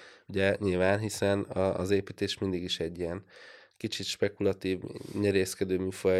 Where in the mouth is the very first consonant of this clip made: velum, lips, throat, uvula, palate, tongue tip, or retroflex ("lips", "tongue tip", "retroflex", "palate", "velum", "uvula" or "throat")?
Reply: palate